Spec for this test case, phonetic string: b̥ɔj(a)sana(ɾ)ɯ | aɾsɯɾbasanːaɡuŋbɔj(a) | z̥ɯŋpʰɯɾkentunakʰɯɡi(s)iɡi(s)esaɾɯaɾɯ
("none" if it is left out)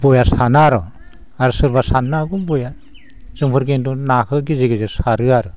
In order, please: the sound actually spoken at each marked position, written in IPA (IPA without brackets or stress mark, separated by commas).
a, ɾ, a, z, z